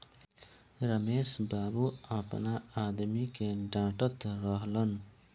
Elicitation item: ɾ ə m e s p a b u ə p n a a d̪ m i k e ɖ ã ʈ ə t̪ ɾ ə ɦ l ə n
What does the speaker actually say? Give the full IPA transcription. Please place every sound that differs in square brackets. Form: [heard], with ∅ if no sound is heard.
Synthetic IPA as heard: ɾ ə m e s [b] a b u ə p n a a d̪ m i k e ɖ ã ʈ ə t̪ ɾ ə ɦ l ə n